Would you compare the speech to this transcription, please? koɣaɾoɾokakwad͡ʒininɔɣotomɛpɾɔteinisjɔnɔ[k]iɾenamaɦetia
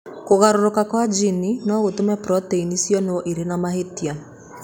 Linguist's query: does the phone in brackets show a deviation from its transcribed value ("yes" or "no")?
yes